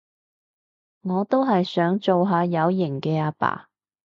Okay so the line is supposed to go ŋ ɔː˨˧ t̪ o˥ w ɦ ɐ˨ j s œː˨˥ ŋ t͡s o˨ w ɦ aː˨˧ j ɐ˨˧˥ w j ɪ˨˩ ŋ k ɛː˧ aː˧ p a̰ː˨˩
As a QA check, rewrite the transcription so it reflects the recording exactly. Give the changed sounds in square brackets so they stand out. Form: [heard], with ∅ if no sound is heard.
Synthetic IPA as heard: ŋ ɔː˨˧ t̪ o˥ w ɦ ɐ˨ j s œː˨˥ ŋ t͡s o˨ w ɦ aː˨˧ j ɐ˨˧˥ w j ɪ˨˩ ŋ k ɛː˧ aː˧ p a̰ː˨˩